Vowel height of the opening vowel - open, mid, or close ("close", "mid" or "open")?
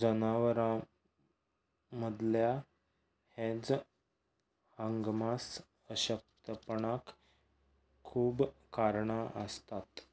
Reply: mid